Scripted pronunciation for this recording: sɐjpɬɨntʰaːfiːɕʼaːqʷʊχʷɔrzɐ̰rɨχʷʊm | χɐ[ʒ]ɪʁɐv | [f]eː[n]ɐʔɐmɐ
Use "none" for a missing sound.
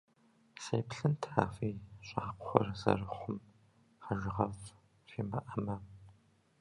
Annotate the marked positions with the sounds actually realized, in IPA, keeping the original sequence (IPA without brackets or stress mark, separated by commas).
ʒ, f, m